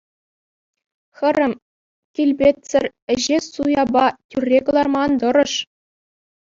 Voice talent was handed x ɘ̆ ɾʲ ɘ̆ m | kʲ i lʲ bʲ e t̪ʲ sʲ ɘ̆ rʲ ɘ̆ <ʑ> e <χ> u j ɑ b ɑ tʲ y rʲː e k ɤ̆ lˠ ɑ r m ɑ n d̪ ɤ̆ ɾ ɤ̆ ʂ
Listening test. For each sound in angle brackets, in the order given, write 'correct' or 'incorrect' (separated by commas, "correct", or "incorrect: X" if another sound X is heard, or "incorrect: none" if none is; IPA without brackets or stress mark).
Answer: correct, incorrect: s